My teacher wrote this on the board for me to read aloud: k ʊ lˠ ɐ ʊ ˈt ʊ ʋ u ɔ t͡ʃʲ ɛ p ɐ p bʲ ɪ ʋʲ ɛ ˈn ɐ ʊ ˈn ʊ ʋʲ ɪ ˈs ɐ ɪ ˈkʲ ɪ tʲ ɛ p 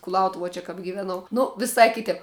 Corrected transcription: k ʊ lˠ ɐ ʊ ˈt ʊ ʋ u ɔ t͡ʃʲ ɛ k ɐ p ɡʲ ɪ ʋʲ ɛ ˈn ɐ ʊ ˈn ʊ ʋʲ ɪ ˈs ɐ ɪ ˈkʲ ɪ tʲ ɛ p